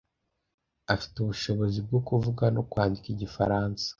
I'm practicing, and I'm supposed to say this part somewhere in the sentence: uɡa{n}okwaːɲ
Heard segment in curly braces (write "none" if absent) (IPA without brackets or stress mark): n